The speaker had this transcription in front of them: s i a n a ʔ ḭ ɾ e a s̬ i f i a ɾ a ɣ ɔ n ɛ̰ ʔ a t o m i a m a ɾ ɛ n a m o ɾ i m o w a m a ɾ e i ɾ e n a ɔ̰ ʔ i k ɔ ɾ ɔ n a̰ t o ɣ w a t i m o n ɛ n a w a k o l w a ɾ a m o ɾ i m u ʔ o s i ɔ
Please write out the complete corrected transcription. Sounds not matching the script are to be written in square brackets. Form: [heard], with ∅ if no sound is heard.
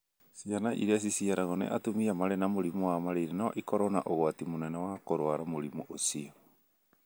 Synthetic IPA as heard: s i a n a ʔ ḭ ɾ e a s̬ i [s] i a ɾ a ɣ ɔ n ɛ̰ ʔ a t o m i a m a ɾ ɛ n a m o ɾ i m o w a m a ɾ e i ɾ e n a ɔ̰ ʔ i k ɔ ɾ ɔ n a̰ [ʔ] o ɣ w a t i m o n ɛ n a w a k o [ɾ] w a ɾ a m o ɾ i m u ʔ o s i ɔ